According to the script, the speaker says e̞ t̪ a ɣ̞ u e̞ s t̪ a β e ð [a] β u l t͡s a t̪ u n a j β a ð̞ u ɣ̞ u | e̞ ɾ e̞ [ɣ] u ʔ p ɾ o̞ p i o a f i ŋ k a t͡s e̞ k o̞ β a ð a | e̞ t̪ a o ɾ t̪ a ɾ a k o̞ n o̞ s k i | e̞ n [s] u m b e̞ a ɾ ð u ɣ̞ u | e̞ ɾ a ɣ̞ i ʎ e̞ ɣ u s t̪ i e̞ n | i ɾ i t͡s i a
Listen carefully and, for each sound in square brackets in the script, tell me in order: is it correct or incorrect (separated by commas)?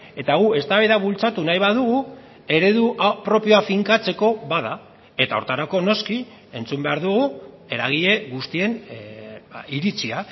correct, incorrect, incorrect